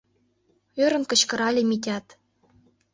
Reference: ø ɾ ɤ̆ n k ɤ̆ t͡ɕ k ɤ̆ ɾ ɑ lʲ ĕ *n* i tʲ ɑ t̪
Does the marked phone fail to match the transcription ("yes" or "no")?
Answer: yes